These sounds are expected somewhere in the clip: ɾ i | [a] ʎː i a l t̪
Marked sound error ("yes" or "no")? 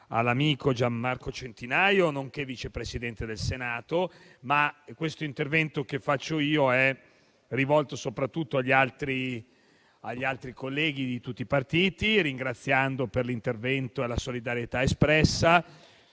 no